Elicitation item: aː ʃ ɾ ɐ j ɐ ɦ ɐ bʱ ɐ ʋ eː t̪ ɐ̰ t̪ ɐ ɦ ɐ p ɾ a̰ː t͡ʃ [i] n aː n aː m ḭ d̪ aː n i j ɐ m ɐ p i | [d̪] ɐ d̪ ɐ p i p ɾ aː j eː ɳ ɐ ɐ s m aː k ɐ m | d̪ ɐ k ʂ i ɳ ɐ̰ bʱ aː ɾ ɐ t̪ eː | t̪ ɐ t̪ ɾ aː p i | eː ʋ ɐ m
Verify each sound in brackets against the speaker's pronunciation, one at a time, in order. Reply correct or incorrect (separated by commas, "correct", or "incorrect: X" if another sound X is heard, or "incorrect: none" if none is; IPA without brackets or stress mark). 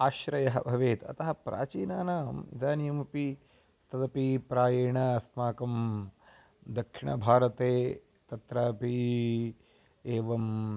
incorrect: iː, incorrect: t̪